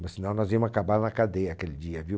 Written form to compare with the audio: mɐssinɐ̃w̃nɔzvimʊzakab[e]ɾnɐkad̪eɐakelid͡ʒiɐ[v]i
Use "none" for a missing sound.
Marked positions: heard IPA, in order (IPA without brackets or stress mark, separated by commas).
a, v